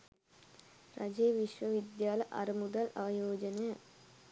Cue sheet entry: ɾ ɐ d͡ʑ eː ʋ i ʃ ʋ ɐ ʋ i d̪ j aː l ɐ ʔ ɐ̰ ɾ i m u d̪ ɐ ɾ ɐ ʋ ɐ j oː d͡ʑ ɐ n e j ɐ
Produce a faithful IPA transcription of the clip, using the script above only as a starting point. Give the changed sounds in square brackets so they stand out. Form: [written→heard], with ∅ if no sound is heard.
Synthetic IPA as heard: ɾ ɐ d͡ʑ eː ʋ i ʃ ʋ ɐ ʋ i d̪ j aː l ɐ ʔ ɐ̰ ɾ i m u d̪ ɐ [ɾ→l] ɐ ʋ ɐ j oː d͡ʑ ɐ n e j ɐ